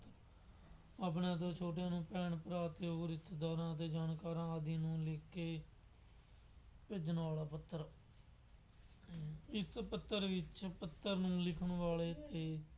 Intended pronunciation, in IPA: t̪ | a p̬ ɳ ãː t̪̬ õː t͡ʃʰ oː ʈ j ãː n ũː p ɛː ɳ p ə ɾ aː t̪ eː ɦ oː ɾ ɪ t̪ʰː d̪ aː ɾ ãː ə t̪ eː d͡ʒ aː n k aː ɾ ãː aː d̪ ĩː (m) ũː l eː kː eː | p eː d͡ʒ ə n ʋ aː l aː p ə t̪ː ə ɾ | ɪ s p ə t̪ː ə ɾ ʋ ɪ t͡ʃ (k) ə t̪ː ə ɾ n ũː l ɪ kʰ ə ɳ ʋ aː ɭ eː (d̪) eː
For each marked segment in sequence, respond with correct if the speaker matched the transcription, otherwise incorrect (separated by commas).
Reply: incorrect, incorrect, incorrect